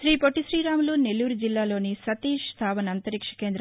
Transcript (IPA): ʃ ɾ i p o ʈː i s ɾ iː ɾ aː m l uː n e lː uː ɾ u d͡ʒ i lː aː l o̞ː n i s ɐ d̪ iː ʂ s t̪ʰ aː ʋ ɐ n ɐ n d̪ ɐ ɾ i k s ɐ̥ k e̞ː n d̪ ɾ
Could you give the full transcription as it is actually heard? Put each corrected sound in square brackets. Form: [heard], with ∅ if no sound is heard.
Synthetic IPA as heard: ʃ ɾ [iː] p o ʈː i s ɾ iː ɾ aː m l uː n e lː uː ɾ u d͡ʒ i lː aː l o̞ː n i s ɐ [t̪] iː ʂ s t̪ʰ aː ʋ ɐ n ɐ n [t̪] ɐ ɾ i k [ʂ] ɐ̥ k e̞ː n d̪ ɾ